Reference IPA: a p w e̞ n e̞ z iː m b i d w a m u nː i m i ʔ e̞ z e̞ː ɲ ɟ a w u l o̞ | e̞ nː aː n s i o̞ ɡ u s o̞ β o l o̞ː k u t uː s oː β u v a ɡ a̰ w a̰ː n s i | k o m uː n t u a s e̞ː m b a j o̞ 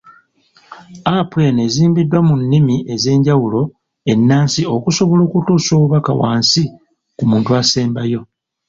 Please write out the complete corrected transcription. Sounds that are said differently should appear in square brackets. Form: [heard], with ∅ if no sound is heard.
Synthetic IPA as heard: a p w e̞ n e̞ z iː m b i d w a m u nː i m i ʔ e̞ z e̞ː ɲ ɟ a w u l o̞ | e̞ nː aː n s i o̞ [k] u s o̞ β o l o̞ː k u t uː s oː β u [β] a [k] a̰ w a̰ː n s i | k [u] m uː n t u a s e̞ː m b a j o̞